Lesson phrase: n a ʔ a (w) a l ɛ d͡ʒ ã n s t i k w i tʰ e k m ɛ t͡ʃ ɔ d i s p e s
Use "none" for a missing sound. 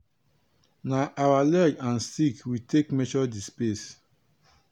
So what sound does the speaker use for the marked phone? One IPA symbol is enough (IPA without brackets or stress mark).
w